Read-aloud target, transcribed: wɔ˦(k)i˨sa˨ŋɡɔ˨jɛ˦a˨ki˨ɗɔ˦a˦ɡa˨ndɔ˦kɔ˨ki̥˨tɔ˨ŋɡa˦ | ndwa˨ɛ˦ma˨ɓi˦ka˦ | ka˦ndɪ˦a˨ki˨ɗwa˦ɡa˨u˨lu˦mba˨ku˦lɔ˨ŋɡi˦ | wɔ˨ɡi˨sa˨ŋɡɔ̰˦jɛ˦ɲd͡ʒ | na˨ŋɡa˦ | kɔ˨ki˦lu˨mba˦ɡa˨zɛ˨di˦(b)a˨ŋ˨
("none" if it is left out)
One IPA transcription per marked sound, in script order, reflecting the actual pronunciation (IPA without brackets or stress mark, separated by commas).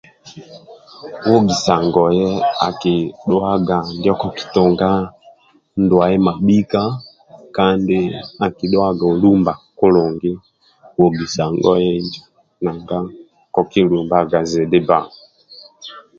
ɡ, b